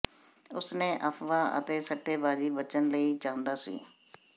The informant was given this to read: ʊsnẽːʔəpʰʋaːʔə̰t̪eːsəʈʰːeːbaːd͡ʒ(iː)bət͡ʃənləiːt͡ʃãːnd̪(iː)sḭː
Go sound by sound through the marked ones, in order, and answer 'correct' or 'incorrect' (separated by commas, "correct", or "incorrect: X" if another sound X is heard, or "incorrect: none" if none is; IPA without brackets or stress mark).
correct, incorrect: aː